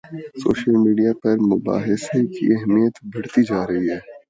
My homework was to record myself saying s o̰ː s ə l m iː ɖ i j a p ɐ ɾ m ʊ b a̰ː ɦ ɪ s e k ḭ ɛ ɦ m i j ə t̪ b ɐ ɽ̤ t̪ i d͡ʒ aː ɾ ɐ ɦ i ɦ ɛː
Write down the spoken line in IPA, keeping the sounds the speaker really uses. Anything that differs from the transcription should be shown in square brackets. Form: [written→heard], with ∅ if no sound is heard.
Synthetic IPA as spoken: s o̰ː [s→ʃ] ə l m iː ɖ i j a p ɐ ɾ m ʊ b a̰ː ɦ ɪ s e k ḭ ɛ ɦ m i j ə t̪ b ɐ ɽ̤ t̪ i d͡ʒ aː ɾ ɐ ɦ i ɦ ɛː